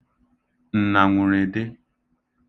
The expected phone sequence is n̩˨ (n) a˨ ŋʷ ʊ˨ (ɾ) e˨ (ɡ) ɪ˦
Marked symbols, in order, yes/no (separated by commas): yes, yes, no